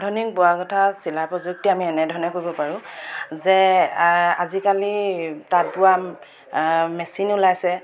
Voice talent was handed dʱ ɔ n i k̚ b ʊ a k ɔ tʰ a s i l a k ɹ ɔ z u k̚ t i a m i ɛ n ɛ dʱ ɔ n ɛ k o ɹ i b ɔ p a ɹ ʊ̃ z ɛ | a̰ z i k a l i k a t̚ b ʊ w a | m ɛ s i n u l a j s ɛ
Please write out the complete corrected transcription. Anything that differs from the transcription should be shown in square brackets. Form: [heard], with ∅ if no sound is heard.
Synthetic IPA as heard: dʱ ɔ n i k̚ b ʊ a k ɔ tʰ a s i l a [p] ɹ ɔ z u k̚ t i a m i ɛ n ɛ dʱ ɔ n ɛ k o ɹ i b ɔ p a ɹ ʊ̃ z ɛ | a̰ z i k a l i [t] a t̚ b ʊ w a | m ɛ s i n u l a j s ɛ